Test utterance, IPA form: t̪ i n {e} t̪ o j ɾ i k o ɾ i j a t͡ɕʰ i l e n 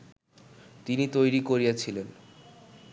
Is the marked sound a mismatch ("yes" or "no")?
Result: yes